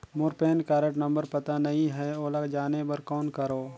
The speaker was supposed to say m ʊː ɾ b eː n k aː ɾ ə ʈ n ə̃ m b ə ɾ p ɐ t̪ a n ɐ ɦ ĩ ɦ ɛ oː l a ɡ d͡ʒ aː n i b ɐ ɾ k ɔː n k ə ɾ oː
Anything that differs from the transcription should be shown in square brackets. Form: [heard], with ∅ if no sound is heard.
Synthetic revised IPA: m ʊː ɾ [p] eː n k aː ɾ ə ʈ n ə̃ m b ə ɾ p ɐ t̪ a n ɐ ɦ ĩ ɦ ɛ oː l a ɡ d͡ʒ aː n [e] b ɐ ɾ k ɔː n k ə ɾ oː